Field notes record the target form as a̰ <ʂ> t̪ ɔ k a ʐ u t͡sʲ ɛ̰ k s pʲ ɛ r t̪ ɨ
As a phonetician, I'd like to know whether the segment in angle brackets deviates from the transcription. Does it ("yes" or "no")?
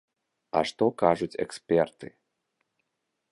no